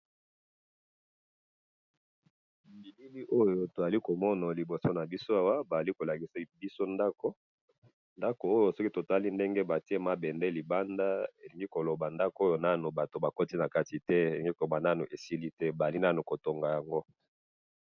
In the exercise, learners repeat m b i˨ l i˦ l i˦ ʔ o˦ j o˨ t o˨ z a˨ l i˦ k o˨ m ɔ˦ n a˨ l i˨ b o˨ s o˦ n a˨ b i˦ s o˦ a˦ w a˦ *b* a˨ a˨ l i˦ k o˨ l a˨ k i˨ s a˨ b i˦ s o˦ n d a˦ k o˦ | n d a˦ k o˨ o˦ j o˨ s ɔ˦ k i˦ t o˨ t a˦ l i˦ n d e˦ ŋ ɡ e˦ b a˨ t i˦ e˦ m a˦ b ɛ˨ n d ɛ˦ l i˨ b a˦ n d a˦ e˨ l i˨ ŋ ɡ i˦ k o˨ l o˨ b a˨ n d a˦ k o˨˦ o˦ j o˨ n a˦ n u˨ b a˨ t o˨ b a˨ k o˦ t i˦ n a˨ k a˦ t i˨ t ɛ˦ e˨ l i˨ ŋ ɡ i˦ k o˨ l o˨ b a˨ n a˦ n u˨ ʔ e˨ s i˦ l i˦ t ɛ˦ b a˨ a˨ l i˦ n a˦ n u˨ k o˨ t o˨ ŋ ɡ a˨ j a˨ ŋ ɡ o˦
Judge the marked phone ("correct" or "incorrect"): correct